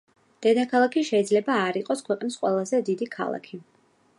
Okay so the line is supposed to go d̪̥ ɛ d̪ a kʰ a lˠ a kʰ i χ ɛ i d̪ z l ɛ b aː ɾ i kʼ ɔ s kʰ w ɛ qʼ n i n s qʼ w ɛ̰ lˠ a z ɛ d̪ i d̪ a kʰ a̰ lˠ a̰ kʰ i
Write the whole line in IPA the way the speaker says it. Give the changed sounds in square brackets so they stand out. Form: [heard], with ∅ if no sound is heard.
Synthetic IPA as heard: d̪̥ ɛ d̪ a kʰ a lˠ a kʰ i [ʃ] ɛ i d̪ z l ɛ b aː ɾ i [qʼ] ɔ s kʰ w ɛ qʼ n i [∅] s qʼ w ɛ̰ lˠ a z ɛ d̪ i d̪ [i] kʰ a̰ lˠ a̰ kʰ i